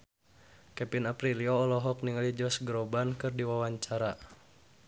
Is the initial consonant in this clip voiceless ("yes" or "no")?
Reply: yes